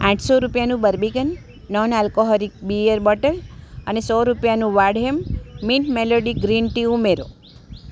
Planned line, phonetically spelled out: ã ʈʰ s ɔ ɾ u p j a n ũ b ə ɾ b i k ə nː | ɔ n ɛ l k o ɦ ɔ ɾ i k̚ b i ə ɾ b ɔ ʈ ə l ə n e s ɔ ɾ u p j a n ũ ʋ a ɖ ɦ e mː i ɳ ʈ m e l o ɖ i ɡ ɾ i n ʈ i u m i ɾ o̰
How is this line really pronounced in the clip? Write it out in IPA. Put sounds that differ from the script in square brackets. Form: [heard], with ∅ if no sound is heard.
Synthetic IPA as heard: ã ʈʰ s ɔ ɾ u p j a n ũ b ə ɾ b i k ə nː | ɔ n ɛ l k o ɦ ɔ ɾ i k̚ b i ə ɾ b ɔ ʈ ə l ə n e s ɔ ɾ u p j a n ũ ʋ a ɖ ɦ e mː i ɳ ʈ m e l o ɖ i ɡ ɾ i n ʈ i u m [e] ɾ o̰